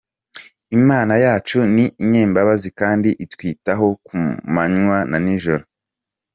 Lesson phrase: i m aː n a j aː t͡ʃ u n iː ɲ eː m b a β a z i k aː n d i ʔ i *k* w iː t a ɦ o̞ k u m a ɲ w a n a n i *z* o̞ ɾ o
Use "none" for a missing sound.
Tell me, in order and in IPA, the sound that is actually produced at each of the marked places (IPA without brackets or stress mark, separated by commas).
t, ʒ